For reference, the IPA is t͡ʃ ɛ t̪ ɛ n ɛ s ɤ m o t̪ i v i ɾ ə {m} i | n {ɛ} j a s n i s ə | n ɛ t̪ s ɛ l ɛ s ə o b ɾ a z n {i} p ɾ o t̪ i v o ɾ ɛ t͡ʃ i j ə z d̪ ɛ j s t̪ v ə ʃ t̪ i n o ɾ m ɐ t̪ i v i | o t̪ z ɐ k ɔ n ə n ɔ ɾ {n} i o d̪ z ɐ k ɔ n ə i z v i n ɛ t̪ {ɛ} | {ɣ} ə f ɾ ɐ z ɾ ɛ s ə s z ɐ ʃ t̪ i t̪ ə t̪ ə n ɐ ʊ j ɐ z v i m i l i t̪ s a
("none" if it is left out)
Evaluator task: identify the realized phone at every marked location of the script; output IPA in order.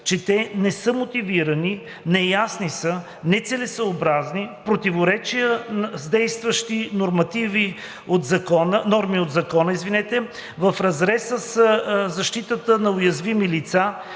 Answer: n, ɛ, i, m, ɛ, v

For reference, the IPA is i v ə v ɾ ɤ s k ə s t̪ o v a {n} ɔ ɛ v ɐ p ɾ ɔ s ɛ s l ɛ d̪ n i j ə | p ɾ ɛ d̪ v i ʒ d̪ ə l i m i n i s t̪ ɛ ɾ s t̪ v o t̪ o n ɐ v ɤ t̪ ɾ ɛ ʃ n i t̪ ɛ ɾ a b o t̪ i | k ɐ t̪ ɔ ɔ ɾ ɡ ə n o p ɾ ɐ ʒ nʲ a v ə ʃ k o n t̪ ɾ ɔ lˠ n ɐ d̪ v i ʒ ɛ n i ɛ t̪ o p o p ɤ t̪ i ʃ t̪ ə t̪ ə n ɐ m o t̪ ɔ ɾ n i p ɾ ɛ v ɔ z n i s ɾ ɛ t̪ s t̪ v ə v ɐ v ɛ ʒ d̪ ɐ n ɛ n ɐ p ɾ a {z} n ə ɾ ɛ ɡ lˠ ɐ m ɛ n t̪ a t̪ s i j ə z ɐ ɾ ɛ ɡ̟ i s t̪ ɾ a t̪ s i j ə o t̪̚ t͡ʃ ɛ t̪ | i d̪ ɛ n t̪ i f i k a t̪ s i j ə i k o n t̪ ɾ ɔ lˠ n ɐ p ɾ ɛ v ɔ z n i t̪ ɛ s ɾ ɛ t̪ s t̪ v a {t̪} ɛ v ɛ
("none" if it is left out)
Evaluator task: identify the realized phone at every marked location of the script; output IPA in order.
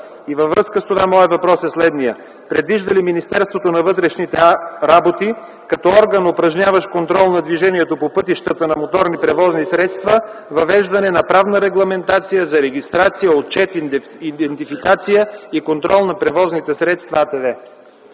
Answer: m, v, t̪

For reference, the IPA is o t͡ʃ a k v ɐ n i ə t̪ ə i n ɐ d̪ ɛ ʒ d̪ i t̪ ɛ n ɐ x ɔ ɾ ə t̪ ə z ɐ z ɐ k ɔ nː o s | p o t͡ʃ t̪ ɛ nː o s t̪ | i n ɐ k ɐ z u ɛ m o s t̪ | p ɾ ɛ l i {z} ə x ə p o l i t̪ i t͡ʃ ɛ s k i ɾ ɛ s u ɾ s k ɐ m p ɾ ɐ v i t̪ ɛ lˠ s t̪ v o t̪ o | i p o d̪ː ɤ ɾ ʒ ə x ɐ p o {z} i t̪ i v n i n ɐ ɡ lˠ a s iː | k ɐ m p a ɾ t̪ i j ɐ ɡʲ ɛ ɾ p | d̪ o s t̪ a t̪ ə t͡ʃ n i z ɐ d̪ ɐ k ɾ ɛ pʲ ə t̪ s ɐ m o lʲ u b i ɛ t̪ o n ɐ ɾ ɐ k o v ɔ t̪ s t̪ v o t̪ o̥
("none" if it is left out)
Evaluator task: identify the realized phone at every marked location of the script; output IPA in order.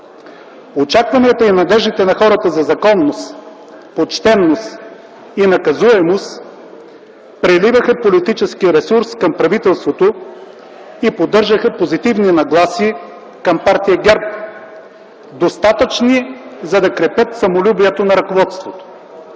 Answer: v, z

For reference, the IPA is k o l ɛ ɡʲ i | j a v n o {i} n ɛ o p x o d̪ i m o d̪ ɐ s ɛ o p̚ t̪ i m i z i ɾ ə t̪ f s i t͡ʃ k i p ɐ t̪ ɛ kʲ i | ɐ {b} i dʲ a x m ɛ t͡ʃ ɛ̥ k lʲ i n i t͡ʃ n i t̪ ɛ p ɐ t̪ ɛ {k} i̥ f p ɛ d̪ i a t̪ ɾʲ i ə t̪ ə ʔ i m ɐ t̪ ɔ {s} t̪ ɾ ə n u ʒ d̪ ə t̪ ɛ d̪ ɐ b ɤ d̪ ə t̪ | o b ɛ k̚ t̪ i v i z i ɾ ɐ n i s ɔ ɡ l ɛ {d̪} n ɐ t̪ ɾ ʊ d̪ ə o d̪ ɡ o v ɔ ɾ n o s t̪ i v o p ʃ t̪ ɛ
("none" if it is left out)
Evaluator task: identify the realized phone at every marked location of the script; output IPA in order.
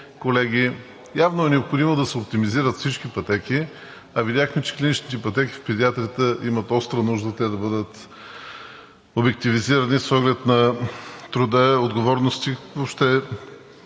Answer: ɛ, v, k, s, t̪

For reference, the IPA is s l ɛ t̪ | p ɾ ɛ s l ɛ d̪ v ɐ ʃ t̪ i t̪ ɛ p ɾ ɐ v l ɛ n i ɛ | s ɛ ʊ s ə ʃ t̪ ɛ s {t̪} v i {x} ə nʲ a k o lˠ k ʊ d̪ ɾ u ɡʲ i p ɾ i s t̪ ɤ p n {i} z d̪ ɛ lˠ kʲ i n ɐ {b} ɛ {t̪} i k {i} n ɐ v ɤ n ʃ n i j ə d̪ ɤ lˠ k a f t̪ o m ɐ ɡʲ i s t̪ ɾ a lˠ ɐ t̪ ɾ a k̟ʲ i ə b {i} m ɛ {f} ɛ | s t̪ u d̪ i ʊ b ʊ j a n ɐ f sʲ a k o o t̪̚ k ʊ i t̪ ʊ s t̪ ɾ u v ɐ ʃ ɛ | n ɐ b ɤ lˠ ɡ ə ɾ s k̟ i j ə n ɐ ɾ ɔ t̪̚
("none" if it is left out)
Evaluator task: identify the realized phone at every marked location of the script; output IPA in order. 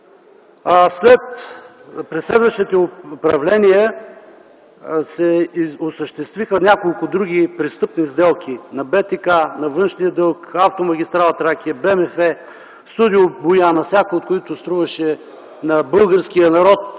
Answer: t̪, x, i, b, t̪, a, ɛ, f

